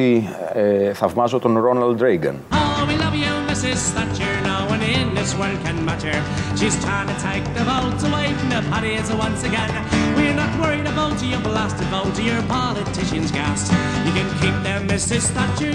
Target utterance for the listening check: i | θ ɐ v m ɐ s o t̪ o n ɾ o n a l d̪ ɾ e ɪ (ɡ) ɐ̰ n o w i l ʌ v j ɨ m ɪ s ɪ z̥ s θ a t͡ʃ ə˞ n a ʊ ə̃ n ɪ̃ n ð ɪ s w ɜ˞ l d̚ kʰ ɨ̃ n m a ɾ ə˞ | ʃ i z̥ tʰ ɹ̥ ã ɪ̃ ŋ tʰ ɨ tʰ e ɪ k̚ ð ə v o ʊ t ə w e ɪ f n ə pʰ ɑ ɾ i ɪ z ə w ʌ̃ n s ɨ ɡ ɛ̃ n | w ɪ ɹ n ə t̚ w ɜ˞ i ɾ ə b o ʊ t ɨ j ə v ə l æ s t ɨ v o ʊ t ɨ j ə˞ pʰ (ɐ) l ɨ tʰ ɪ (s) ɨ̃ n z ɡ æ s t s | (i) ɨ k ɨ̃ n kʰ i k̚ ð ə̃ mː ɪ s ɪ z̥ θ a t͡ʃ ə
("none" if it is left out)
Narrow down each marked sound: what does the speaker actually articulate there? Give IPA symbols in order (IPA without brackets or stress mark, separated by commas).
ɡ, ɑ, ʃ, j